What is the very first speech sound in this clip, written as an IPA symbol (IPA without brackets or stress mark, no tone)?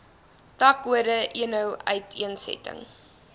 t